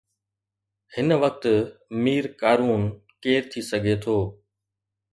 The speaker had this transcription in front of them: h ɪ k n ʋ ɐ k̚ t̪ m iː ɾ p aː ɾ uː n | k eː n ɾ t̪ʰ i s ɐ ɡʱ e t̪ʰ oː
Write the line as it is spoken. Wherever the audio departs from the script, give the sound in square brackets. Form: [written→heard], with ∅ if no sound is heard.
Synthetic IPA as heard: h ɪ [k→∅] n ʋ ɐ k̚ t̪ m iː ɾ [p→k] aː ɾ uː n | k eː [n→∅] ɾ t̪ʰ i s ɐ ɡʱ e t̪ʰ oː